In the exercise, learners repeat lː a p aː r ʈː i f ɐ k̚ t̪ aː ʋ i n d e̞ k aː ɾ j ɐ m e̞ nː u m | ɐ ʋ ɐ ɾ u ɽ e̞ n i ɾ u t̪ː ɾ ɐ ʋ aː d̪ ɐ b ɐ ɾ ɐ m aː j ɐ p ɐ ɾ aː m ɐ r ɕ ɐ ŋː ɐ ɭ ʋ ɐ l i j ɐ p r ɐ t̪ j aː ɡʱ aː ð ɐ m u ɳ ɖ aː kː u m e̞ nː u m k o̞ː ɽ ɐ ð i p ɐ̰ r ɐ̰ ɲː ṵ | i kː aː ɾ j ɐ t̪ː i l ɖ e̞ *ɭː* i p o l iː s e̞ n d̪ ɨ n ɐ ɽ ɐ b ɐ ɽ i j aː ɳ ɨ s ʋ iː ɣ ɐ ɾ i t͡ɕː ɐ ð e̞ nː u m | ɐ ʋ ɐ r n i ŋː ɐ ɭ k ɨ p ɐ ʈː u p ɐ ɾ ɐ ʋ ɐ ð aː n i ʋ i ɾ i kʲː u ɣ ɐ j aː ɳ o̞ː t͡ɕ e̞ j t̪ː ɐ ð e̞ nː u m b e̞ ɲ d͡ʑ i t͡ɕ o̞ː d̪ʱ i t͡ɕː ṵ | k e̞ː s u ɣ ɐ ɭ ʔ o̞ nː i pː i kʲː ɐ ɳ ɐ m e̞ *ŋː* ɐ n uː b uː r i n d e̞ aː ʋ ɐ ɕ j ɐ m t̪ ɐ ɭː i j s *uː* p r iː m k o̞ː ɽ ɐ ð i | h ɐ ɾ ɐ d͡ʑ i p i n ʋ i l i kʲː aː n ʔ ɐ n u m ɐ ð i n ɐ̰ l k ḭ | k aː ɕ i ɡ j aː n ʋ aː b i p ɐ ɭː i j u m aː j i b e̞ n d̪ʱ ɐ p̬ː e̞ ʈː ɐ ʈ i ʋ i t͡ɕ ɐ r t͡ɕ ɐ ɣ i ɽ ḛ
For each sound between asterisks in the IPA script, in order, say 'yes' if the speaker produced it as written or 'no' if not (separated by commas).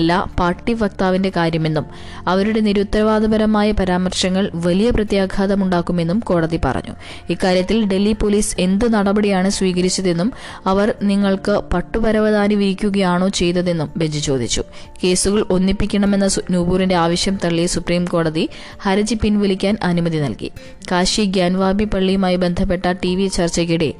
no, no, no